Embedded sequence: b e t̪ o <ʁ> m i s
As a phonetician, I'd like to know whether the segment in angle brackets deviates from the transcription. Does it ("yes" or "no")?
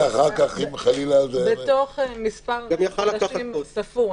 yes